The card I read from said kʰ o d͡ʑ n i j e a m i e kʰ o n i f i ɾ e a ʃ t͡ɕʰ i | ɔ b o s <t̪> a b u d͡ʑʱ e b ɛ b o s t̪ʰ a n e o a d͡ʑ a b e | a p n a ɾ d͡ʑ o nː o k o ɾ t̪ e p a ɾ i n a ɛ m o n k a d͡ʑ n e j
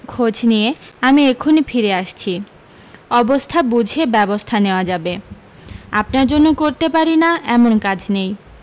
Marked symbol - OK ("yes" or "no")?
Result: no